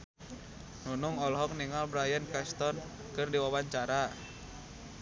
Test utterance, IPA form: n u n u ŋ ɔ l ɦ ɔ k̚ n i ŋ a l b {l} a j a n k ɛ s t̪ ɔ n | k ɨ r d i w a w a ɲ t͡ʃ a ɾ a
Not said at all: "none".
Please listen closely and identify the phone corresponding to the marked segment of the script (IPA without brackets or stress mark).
ɾ